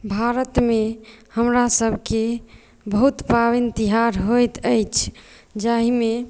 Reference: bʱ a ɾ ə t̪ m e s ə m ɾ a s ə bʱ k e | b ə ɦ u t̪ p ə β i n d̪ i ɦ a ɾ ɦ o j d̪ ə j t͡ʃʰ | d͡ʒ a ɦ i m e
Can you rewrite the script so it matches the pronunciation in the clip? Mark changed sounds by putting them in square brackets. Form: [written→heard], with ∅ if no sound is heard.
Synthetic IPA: bʱ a ɾ ə t̪ m e [s→h] ə m ɾ a s ə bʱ k e | b ə ɦ u t̪ p [ə→a] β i n [d̪→t̪] i ɦ a ɾ ɦ o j [d̪→t̪] ə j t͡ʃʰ | d͡ʒ a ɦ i m e